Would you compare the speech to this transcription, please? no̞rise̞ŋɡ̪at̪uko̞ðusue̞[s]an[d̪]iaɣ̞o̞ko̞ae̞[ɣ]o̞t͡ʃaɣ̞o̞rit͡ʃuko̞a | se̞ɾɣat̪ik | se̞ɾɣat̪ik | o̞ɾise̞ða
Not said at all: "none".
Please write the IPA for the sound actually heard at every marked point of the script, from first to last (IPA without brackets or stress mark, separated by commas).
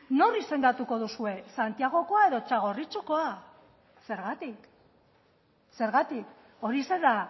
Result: s, t̪, ð